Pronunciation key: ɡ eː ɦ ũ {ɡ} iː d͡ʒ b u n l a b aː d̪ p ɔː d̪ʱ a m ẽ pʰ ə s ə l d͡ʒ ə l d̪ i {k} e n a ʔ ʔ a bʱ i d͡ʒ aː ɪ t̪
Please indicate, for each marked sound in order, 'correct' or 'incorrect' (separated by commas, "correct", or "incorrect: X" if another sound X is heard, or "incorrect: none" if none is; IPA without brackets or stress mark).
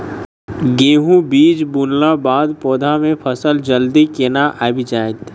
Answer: incorrect: b, correct